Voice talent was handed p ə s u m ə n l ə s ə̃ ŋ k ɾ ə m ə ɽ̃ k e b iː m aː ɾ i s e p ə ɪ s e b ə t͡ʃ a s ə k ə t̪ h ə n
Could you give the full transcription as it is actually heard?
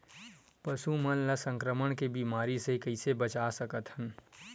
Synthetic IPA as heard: p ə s u m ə n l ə s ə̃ ŋ k ɾ ə m ə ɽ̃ k e b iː m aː ɾ i s e k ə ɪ s e b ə t͡ʃ a s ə k ə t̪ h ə n

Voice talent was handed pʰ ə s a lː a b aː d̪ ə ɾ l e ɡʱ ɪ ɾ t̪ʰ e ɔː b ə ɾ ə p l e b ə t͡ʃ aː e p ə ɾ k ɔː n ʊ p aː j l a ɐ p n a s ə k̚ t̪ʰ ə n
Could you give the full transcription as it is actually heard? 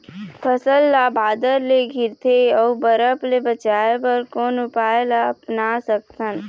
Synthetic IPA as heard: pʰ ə s ə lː a b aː d̪ ə ɾ l e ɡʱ ɪ ɾ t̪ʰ e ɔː b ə ɾ ə p l e b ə t͡ʃ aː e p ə ɾ k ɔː n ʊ p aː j l a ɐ p n a s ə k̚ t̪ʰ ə n

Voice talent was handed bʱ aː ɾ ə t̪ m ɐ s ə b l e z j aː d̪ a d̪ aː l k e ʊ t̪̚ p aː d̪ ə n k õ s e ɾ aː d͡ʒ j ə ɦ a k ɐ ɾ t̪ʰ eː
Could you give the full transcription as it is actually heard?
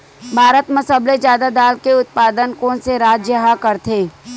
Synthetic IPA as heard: bʱ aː ɾ ə t̪ m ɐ s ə b l e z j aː d̪ a d̪ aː l k e ʊ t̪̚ p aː d̪ ə n k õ s e ɾ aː d͡ʒ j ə ɦ a k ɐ ɾ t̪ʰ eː

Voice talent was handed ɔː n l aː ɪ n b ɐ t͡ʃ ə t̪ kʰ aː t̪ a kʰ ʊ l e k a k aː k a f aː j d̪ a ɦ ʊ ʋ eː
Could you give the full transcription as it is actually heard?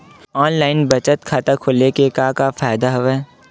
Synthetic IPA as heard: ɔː n l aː ɪ n b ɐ t͡ʃ ə t̪ kʰ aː t̪ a kʰ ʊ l e k e k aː k a f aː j d̪ a ɦ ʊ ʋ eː

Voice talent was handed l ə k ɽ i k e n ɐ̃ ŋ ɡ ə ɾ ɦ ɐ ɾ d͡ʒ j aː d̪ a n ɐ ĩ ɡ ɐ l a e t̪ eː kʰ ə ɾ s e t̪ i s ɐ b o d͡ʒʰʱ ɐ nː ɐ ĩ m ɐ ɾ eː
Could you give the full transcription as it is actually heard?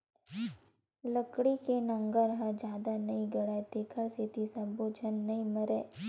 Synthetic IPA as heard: l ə k ɽ i k e n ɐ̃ ŋ ɡ ə ɾ ɦ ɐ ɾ d͡ʒ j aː d̪ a n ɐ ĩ ɡ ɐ ɽ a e t̪ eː kʰ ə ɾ s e t̪ i s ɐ b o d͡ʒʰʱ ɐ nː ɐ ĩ m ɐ ɾ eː

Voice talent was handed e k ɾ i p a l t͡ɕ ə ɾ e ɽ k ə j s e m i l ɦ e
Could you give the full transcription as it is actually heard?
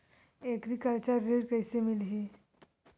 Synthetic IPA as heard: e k ɾ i k a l t͡ɕ a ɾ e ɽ k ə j s e m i l ɦ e

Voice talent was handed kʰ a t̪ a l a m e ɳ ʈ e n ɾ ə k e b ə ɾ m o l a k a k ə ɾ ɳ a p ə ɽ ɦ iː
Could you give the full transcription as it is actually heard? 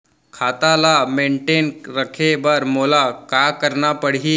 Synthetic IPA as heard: kʰ a t̪ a l a m e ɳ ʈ e n ɾ ə kʰ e b ə ɾ m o l a k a k ə ɾ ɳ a p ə ɽ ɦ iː

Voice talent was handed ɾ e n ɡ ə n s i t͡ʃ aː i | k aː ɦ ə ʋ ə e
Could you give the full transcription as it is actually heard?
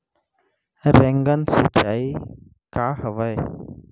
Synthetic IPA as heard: ɾ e ŋ ɡ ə n s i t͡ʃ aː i | k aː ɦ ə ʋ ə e

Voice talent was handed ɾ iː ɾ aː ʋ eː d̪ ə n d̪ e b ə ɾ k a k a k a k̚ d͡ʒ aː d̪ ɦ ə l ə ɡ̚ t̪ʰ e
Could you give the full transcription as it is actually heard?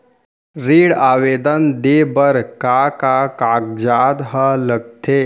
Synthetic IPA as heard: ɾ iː ɽ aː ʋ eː d̪ ə n d̪ e b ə ɾ k a k a k a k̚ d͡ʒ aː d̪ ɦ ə l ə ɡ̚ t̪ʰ e

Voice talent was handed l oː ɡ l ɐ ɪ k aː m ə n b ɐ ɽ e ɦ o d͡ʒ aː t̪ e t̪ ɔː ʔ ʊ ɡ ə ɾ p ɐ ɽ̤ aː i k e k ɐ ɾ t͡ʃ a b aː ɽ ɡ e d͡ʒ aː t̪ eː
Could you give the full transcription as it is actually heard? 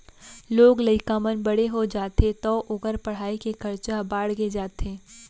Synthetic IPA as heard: l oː ɡ l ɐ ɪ k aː m ə n b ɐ ɽ e ɦ o d͡ʒ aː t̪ e t̪ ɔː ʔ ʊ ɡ ə ɾ p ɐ ɽ̤ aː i k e k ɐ ɾ t͡ʃ a b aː ɽ ɡ e d͡ʒ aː t̪ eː

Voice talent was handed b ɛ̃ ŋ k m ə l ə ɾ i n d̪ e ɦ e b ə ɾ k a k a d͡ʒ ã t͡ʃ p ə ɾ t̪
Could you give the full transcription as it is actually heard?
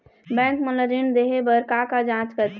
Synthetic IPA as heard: b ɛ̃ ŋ k m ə l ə ɾ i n d̪ e ɦ e b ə ɾ k a k a d͡ʒ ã t͡ʃ k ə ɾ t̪

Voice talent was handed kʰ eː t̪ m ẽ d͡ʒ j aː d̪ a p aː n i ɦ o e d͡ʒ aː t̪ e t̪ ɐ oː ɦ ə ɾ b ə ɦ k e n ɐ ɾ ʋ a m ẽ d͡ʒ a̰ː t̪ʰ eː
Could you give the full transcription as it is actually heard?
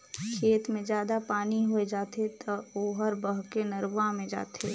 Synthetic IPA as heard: kʰ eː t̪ m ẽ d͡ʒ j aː d̪ a p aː n i ɦ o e d͡ʒ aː t̪ e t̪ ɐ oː ɦ ə ɾ b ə ɦ k e n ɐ ɾ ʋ a m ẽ d͡ʒ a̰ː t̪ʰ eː

